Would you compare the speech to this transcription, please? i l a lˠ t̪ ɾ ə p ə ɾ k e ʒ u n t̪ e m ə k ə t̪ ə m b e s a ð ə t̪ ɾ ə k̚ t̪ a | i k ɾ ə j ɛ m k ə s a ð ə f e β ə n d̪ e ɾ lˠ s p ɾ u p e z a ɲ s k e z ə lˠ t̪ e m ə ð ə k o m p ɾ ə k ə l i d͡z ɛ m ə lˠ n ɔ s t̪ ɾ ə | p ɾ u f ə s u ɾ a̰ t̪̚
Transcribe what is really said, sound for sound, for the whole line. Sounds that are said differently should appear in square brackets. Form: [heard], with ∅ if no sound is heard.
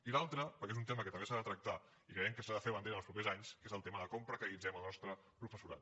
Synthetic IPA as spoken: i l a lˠ t̪ ɾ ə p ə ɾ k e [z] u n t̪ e m ə k ə t̪ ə m b e s a ð ə t̪ ɾ ə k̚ t̪ a | i k ɾ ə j ɛ m k ə s a ð ə f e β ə n d̪ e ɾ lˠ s p ɾ u p e z a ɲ s k e z ə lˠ t̪ e m ə ð ə k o m p ɾ ə k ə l i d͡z ɛ m ə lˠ n ɔ s t̪ ɾ ə | p ɾ u f ə s u ɾ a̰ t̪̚